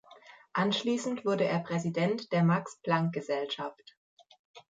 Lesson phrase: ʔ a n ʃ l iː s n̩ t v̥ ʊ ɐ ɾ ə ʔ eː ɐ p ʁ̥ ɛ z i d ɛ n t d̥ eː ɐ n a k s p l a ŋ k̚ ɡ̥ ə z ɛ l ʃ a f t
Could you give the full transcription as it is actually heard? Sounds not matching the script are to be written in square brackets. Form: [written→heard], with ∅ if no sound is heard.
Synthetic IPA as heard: ʔ a n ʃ l iː s n̩ t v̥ ʊ ɐ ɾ ə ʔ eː ɐ p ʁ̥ ɛ z i d ɛ n t d̥ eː ɐ [n→m] a k s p l a ŋ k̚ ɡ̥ ə z ɛ l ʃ a f t